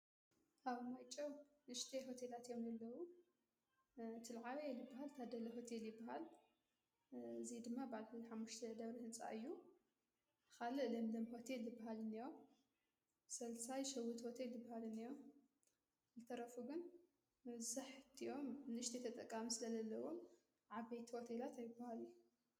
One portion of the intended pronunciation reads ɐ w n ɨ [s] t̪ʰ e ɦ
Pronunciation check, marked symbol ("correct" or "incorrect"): incorrect